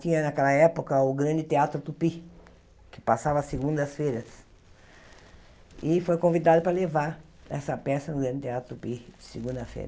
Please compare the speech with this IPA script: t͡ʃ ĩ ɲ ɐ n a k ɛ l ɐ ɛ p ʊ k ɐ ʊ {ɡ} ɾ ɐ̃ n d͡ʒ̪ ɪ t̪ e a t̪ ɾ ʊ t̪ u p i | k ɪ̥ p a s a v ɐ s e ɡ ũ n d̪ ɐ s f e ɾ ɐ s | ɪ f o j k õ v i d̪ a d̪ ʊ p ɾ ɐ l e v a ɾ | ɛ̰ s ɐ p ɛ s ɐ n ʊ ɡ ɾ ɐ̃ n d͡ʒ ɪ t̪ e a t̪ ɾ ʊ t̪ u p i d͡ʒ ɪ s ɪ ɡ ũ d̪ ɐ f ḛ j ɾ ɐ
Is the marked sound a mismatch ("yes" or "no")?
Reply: no